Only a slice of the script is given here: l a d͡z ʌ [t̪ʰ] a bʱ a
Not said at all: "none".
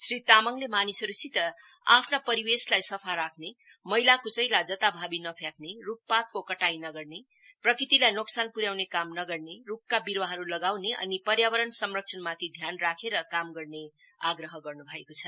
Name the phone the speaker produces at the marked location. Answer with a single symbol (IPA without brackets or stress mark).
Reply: t̪